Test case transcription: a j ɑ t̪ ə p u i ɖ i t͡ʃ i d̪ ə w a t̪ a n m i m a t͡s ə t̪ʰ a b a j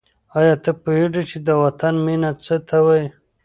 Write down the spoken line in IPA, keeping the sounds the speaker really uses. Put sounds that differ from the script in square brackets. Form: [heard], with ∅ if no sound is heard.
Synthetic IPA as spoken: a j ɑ t̪ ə p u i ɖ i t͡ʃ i d̪ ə w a t̪ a n m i [n] a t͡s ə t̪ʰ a [w] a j